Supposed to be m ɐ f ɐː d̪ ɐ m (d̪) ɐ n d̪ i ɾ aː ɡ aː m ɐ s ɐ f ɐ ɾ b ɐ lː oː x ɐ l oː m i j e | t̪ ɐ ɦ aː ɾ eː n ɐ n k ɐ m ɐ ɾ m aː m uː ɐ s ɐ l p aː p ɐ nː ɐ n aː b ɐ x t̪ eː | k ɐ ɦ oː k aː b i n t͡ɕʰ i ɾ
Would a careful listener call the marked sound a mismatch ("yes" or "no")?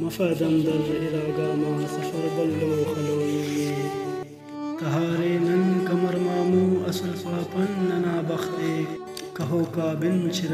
no